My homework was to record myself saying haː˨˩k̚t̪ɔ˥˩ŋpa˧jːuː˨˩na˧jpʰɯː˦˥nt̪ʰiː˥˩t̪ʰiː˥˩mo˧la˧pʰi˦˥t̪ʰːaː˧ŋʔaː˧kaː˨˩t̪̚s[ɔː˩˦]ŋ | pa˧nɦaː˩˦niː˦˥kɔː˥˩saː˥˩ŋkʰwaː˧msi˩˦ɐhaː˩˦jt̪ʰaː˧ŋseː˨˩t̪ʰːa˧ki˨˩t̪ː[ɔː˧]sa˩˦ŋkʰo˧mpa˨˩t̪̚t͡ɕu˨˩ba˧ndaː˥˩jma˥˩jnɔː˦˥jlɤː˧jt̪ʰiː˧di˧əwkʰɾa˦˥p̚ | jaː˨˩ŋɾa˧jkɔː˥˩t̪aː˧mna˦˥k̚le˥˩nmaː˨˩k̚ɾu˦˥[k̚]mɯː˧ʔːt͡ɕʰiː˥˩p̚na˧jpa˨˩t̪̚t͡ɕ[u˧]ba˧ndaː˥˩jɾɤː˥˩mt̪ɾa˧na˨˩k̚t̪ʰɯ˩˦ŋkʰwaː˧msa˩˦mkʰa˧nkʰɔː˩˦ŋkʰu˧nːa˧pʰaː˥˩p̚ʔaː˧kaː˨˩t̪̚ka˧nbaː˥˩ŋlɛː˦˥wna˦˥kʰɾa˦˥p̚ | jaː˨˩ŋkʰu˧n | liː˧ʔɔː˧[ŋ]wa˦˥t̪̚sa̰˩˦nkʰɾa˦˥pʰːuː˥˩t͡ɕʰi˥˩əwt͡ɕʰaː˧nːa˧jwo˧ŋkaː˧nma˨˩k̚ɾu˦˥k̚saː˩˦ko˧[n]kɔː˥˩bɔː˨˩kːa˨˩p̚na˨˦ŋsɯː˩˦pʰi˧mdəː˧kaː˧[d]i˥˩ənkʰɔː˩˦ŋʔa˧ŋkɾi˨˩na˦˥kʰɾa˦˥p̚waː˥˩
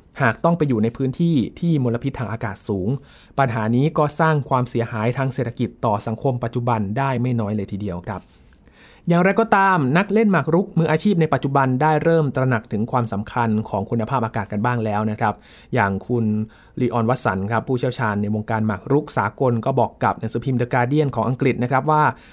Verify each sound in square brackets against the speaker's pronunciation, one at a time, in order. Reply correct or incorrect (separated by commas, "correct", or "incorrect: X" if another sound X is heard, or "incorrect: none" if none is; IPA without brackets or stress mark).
incorrect: uː˩˦, incorrect: ɔː˨˩, correct, incorrect: u˨˩, incorrect: n, correct, correct